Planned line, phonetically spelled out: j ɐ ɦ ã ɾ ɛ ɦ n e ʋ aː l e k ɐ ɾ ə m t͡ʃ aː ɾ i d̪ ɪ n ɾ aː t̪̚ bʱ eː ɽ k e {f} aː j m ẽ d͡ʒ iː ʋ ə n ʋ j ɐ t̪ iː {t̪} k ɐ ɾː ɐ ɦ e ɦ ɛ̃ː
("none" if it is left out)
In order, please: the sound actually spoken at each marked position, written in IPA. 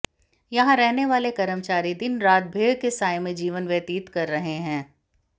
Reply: s, t̪

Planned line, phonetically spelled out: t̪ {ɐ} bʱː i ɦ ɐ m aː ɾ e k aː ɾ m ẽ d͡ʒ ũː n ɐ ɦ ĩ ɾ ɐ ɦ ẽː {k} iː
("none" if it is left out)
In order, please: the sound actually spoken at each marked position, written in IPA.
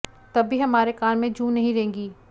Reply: ɐ, ɡ

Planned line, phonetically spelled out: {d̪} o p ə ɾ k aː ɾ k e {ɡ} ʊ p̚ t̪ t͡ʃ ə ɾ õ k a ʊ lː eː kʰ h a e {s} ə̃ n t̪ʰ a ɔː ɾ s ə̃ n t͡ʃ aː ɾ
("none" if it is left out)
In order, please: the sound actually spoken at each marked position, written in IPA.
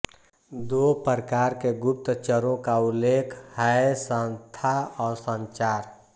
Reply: d̪, ɡ, s

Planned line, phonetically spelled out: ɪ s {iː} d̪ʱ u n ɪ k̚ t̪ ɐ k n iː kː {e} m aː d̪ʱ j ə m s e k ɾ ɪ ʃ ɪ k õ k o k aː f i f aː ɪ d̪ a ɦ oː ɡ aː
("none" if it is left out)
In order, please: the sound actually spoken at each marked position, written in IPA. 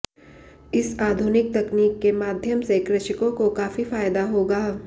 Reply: aː, e

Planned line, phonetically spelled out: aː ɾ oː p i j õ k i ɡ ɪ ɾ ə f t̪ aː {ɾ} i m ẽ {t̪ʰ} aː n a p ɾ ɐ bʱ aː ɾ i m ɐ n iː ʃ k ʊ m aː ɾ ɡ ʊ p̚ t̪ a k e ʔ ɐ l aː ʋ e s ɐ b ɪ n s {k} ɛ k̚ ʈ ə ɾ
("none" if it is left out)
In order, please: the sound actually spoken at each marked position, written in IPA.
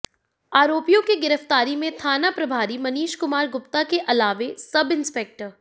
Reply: ɾ, t̪ʰ, p

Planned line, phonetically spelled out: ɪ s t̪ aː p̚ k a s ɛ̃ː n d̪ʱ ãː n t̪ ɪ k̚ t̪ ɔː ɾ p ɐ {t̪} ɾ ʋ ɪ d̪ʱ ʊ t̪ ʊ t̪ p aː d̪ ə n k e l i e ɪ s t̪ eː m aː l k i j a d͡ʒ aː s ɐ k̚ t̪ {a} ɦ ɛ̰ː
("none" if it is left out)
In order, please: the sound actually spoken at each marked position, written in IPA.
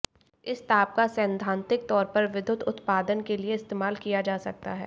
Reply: none, a

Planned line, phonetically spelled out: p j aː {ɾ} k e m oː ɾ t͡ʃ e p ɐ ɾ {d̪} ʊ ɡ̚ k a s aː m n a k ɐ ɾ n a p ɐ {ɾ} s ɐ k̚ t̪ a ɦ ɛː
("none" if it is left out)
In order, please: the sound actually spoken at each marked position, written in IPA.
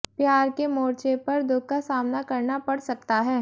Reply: ɾ, d̪, ɽ

